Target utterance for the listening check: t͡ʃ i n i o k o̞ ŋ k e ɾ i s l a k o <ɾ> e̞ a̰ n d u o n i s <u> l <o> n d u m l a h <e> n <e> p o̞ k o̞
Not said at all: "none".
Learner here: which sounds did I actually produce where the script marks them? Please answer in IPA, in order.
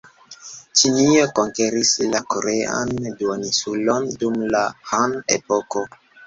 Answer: ɾ, u, o, a, e

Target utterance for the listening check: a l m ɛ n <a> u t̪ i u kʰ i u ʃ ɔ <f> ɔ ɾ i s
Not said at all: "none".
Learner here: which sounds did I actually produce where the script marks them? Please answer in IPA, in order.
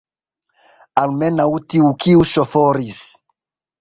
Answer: a, f

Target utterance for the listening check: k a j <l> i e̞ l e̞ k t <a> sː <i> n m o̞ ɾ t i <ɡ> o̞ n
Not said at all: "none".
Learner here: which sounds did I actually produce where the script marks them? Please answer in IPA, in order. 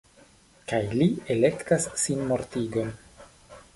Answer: l, a, i, ɡ

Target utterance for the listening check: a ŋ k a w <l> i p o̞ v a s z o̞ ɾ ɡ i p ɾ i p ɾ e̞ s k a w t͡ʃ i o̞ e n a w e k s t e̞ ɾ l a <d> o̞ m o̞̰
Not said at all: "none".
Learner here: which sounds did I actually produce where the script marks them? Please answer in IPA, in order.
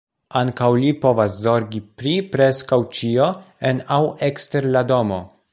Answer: l, d

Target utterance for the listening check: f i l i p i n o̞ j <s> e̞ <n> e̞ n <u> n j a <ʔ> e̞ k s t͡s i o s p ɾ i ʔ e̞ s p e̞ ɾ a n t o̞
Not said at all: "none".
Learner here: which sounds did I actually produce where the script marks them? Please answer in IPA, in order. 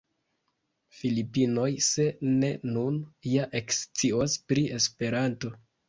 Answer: s, n, u, ʔ

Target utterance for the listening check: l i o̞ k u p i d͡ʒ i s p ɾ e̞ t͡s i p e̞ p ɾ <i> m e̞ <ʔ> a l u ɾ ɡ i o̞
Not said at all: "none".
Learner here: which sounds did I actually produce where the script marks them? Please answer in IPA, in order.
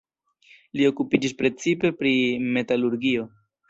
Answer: i, t

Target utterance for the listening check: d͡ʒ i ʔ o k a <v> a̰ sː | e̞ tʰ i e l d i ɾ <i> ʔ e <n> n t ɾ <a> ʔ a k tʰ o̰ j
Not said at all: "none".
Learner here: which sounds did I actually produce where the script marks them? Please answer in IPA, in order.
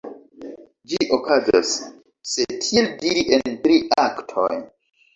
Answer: z, i, n, i

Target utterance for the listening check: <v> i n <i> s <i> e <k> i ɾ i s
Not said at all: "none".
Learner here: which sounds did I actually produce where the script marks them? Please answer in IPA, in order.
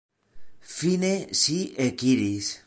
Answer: f, e, i, k

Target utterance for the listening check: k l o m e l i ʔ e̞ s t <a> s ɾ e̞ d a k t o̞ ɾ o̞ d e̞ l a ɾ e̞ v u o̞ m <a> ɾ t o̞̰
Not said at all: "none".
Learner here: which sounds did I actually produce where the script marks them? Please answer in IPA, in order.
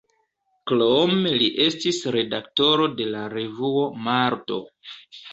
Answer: i, a

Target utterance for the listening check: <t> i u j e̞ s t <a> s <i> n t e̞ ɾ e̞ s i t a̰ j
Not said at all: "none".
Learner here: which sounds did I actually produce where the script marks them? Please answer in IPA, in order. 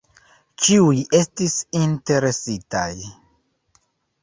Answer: t͡ʃ, i, i

